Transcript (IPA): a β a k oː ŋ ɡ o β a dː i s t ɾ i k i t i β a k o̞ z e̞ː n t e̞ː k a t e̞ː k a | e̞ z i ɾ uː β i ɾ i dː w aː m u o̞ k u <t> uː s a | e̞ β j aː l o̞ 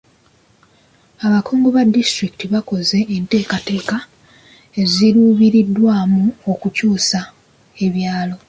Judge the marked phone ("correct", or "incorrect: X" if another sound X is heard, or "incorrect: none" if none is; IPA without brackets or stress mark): incorrect: c